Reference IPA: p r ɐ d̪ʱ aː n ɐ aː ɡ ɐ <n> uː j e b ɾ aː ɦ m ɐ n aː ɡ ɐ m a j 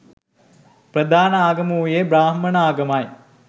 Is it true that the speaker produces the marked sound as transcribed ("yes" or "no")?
no